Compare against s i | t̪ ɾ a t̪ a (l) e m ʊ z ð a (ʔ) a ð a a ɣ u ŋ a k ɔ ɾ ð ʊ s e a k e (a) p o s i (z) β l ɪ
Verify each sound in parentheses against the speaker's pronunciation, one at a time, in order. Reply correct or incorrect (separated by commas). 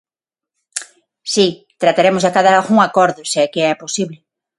incorrect, incorrect, incorrect, incorrect